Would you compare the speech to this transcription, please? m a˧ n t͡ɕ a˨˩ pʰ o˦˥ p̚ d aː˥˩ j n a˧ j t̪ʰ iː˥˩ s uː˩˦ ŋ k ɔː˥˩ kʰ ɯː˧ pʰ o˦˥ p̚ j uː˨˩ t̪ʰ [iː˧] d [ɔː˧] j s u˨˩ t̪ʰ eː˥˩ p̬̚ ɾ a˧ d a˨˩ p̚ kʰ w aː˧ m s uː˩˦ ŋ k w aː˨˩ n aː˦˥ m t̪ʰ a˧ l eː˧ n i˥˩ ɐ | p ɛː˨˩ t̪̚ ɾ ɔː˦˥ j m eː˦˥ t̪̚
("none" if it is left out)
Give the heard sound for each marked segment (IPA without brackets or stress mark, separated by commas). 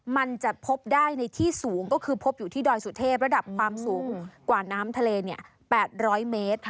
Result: iː˥˩, ɔː˧